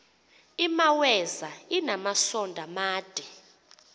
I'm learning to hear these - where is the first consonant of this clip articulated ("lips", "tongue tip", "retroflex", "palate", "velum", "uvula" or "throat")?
lips